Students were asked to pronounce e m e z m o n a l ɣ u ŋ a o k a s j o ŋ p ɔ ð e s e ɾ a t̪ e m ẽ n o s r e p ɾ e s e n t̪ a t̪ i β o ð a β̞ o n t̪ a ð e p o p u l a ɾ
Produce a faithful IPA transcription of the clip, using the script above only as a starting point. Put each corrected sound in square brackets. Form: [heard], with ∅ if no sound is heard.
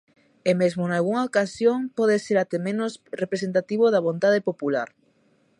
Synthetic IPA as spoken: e m e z m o n a l ɣ u ŋ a o k a s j o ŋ p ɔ ð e s e ɾ a t̪ e m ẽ n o s r e p ɾ e s e n t̪ a t̪ i β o ð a β̞ o n t̪ a ð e p o p u l a ɾ